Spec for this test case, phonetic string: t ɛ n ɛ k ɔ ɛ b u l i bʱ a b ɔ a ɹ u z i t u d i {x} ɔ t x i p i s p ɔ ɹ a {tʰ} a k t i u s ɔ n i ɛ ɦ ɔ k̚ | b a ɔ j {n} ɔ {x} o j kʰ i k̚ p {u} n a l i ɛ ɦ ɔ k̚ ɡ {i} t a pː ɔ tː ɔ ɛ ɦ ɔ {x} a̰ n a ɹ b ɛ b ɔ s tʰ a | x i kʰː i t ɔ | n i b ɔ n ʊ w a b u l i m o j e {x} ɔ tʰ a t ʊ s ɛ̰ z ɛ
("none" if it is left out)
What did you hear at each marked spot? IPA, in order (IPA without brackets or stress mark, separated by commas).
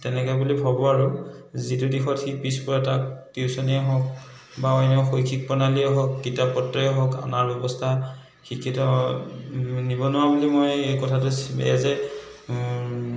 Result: x, t, n, x, ɔ, i, k, k